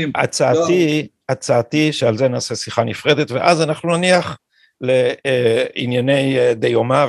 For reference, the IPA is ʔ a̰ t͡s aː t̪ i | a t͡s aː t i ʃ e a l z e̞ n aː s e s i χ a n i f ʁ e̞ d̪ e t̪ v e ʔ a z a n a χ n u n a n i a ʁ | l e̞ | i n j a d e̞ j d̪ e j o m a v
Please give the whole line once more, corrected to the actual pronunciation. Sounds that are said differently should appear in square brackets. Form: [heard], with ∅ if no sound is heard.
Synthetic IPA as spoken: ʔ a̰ t͡s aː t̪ i | a t͡s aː t i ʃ e a l z e̞ n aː s e s i χ a n i f ʁ e̞ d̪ e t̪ v e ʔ a z a n a χ n u n a n i a [χ] | l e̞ | i n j a [n] e̞ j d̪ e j o m a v